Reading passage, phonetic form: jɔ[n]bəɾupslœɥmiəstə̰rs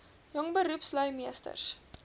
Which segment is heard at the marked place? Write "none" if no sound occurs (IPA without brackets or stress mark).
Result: ŋ